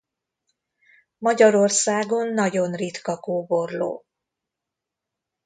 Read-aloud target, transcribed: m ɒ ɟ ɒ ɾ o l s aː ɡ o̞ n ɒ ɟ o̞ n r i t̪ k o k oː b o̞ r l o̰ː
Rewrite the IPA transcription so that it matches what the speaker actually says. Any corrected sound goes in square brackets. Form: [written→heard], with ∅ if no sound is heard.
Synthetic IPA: m ɒ ɟ ɒ ɾ o [l→r] s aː ɡ o̞ [n→nː] ɒ ɟ o̞ n r i t̪ k [o→ɒ] k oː b o̞ r l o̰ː